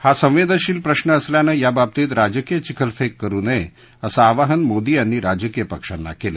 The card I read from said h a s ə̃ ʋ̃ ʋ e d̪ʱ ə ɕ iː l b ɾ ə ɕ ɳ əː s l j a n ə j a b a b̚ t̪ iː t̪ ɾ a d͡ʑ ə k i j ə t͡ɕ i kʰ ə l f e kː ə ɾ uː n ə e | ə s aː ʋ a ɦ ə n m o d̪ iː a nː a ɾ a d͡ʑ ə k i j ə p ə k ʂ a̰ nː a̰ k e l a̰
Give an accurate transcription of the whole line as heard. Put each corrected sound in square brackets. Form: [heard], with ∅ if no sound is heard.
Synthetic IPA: h a s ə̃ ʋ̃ ʋ e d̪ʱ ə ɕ iː l [p] ɾ ə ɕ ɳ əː s l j a n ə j a b a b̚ t̪ iː t̪ ɾ a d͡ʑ ə k i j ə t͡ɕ i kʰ ə l f e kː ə ɾ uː n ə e | ə s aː ʋ a ɦ ə n m o d̪ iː a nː [i] ɾ a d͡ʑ ə k i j ə p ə k ʂ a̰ nː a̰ k e l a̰